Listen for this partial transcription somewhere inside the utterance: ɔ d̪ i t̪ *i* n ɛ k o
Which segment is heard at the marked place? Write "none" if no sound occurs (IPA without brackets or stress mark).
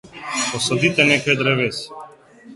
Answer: ɛ